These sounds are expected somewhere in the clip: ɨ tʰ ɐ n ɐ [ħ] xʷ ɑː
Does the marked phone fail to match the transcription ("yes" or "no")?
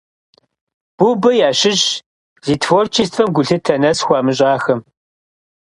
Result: yes